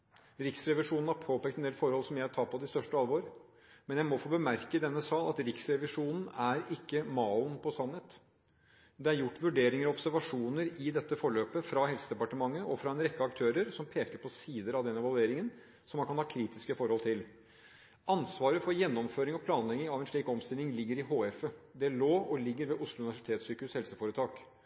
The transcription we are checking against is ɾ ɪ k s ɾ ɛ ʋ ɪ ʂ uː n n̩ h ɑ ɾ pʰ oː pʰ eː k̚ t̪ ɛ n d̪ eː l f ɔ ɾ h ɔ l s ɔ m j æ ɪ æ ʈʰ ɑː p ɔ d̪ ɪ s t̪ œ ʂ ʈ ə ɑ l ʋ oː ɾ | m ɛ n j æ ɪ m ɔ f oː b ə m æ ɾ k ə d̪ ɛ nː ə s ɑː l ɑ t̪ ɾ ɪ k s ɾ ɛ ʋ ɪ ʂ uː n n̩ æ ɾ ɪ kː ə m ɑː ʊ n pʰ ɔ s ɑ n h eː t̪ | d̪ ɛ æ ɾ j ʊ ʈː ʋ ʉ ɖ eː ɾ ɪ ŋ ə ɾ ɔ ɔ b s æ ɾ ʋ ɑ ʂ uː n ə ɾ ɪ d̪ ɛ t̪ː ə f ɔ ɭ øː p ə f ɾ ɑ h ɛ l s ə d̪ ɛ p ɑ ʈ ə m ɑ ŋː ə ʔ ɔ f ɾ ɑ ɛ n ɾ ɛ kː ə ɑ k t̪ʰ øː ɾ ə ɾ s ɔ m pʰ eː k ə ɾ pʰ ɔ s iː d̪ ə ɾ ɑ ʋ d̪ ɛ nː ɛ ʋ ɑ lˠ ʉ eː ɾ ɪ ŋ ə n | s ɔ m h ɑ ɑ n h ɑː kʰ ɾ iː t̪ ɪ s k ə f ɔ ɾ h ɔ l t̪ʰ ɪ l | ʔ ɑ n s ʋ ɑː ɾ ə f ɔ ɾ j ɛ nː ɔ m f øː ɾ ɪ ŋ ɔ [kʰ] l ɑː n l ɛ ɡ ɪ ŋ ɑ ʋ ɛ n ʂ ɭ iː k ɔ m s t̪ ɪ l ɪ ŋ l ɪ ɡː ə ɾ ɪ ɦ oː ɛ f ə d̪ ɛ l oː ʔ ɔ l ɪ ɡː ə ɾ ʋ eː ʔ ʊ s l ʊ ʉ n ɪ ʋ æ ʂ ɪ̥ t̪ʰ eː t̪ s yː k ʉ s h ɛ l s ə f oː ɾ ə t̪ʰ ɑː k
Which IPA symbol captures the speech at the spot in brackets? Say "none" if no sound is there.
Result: pʰ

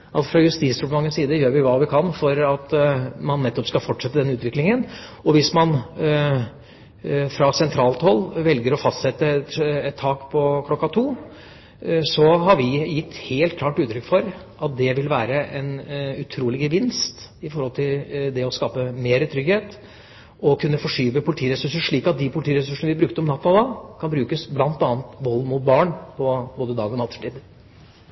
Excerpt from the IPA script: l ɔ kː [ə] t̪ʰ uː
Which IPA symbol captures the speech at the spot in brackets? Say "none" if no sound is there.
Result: ɑ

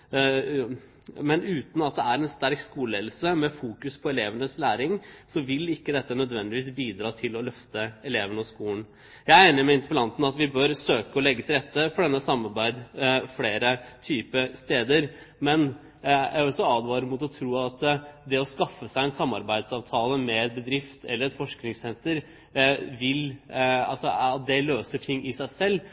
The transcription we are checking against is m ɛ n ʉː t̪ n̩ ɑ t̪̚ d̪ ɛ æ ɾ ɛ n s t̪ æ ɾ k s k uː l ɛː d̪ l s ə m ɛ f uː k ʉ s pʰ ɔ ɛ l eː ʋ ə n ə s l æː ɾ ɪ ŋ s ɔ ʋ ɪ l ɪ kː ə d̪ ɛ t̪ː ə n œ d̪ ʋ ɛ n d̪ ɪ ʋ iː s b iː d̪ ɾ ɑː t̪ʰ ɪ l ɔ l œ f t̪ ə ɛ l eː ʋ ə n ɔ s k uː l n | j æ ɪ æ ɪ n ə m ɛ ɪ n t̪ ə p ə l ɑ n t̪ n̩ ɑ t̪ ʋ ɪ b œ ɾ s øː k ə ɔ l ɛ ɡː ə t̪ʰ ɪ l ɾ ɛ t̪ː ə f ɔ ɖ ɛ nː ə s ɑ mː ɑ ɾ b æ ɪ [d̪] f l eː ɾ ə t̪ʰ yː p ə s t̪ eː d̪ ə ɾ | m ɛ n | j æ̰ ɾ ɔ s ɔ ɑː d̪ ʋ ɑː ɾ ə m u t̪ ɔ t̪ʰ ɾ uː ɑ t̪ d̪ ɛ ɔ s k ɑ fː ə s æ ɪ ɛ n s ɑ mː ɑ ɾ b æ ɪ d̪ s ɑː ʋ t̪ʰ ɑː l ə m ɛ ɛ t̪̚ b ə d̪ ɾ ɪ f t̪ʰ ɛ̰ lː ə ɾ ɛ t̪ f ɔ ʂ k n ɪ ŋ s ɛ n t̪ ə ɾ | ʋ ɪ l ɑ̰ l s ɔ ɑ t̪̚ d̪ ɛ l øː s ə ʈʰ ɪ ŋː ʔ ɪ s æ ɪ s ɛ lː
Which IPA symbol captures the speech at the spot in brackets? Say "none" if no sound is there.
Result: d̪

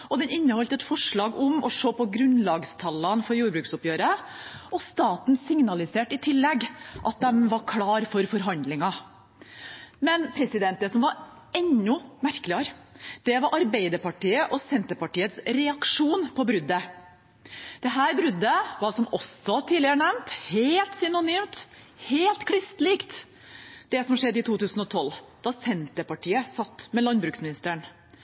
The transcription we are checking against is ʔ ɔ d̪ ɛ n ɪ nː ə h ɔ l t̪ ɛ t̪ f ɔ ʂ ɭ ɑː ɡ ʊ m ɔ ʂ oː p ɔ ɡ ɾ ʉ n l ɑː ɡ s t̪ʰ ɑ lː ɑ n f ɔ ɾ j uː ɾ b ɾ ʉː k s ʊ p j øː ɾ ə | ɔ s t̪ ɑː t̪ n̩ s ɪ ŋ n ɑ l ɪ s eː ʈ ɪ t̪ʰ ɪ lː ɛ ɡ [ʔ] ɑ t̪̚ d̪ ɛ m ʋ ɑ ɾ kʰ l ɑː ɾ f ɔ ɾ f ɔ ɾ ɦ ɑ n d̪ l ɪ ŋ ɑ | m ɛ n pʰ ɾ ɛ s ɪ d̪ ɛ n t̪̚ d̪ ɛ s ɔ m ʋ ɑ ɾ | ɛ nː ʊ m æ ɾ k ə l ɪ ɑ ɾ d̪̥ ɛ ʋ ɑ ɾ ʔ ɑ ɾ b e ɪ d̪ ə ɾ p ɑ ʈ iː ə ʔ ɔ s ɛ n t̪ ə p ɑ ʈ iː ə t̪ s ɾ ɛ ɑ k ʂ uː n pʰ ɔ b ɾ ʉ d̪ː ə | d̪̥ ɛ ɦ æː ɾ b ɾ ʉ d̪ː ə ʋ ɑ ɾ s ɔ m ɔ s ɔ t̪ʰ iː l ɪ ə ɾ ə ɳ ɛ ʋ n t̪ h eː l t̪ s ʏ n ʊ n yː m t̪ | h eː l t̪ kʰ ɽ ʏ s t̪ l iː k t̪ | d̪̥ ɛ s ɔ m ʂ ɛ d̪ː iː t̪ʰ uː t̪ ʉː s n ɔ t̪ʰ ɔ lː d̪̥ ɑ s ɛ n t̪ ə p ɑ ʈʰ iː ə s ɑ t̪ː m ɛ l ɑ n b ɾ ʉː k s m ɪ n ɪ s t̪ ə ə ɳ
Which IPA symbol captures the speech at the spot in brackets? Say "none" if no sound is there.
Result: ʔ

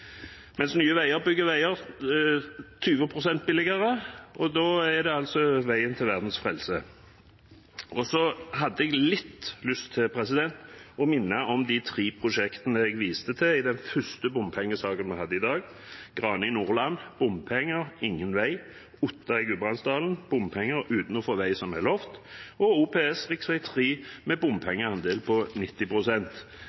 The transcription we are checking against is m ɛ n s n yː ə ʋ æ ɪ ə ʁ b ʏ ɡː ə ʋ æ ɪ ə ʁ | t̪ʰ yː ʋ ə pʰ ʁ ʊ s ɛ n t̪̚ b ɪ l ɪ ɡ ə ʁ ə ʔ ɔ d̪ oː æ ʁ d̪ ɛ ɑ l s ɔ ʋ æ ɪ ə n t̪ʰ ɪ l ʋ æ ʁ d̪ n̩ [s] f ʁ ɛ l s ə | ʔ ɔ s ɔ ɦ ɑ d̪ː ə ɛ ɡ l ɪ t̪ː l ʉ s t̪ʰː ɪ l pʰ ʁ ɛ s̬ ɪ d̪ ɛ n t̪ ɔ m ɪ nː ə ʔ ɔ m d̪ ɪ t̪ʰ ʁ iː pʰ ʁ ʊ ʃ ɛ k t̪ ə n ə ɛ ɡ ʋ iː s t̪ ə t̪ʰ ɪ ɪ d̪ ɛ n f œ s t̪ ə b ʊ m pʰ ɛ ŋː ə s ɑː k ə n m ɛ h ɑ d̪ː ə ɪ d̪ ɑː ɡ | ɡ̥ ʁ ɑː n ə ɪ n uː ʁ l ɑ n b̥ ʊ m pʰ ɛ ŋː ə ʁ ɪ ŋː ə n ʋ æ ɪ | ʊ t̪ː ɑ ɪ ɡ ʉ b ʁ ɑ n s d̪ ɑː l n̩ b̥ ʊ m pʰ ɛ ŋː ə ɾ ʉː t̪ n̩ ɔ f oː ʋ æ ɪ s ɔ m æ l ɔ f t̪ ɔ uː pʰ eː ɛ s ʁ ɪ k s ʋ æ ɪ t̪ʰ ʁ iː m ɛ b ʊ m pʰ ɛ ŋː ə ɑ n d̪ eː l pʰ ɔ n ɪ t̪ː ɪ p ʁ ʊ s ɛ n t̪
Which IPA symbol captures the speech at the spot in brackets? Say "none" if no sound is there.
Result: s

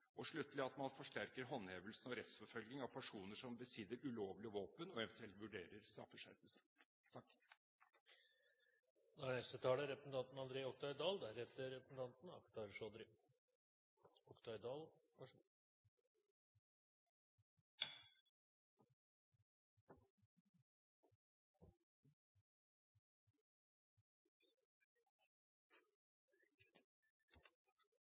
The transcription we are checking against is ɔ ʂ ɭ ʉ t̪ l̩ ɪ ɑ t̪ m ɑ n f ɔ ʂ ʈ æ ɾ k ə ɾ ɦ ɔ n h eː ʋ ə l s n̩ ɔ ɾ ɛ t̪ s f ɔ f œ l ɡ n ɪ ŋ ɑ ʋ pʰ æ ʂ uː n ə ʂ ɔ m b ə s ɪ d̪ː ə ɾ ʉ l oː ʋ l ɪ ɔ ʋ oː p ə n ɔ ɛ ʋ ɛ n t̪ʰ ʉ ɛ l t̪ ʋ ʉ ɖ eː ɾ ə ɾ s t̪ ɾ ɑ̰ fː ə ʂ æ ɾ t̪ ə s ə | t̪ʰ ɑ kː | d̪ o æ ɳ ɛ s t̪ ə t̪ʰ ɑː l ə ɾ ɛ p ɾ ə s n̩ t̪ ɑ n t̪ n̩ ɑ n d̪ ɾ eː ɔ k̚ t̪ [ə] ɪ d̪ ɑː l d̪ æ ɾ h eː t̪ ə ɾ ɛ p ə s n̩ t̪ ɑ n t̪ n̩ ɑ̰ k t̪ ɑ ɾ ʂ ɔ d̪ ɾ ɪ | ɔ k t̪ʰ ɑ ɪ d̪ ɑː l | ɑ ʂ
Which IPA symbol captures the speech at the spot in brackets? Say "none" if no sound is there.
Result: ɑ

